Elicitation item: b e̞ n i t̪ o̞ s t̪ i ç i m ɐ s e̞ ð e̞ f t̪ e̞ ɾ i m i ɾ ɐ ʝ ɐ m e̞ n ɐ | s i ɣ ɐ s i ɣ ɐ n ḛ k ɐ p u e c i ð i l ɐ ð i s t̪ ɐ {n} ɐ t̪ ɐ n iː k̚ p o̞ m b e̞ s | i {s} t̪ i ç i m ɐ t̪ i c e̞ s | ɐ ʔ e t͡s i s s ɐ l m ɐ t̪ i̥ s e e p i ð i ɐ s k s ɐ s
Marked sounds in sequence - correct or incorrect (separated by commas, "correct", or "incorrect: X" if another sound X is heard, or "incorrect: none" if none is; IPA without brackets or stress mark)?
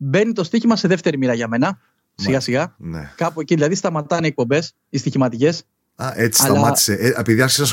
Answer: incorrect: m, correct